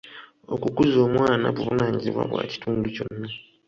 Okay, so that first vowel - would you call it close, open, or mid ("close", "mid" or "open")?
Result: mid